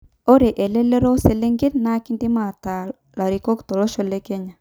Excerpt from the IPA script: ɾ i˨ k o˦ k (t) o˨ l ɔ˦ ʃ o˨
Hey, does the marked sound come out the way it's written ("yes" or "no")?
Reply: yes